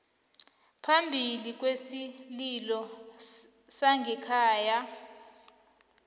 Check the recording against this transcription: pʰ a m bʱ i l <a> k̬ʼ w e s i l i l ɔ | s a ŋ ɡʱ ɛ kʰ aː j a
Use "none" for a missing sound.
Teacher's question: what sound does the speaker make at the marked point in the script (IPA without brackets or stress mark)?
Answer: i